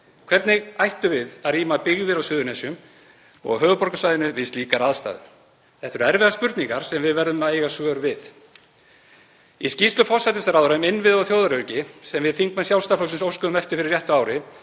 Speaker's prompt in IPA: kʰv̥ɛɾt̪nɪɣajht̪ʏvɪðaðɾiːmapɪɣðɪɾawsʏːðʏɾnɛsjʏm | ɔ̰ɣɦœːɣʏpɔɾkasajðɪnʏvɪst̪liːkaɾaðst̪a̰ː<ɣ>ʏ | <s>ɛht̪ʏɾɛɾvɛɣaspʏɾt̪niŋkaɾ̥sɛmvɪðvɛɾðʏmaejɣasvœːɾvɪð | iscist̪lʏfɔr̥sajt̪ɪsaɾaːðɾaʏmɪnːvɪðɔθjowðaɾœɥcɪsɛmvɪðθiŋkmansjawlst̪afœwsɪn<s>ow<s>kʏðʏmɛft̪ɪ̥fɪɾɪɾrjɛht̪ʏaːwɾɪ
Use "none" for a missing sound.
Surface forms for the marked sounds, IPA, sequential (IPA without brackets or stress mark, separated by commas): ð, θ, s, s